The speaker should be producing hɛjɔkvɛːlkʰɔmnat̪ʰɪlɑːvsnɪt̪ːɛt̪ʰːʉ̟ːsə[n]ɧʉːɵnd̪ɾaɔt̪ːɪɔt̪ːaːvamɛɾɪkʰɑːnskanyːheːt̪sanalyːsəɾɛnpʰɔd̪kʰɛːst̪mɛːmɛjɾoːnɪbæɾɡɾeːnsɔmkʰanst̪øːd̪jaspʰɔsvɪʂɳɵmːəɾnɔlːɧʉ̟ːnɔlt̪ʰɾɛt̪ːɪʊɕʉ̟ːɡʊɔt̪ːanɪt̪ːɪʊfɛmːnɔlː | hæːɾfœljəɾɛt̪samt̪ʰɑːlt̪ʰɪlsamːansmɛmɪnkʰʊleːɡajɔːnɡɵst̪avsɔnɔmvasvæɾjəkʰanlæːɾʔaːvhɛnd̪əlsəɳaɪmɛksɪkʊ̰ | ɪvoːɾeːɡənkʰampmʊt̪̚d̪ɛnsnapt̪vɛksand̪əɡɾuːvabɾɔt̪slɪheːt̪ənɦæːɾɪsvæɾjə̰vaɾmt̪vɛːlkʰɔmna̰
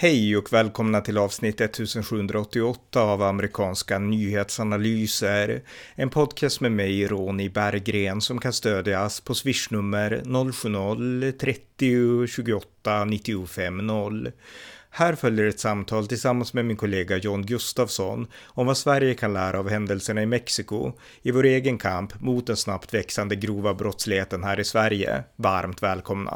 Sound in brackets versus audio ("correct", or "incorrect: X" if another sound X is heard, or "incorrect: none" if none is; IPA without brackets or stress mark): correct